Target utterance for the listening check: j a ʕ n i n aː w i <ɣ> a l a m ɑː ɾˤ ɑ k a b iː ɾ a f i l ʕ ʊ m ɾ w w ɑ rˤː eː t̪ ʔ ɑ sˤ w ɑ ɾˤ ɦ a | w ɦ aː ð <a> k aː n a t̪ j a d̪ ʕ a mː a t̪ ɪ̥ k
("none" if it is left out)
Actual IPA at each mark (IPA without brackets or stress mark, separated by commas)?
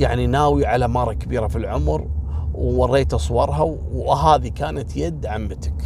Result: ʕ, i